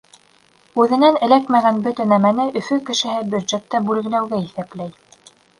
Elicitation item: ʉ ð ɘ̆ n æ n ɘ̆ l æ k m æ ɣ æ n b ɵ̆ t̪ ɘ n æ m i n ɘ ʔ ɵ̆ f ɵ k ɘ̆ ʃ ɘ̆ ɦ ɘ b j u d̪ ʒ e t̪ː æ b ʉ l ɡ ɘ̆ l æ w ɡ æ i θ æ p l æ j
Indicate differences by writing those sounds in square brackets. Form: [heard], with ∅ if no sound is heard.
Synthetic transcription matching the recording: ʉ ð ɘ̆ n æ n ɘ̆ l æ k m æ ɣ æ n b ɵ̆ t̪ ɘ n æ m [æ] n ɘ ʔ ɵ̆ f ɵ k ɘ̆ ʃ ɘ̆ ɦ ɘ b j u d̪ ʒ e t̪ː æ b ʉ l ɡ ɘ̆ l æ w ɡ æ i θ æ p l æ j